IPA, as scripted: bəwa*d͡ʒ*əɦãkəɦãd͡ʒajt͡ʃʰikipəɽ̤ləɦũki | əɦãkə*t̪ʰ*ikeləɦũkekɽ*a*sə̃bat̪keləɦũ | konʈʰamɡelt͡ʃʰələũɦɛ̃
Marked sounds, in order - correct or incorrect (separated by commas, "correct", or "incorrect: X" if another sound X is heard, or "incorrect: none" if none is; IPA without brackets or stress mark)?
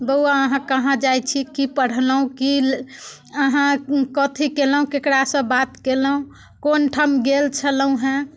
incorrect: none, correct, correct